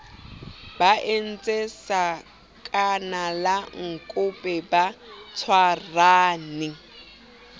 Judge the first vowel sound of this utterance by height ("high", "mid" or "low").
low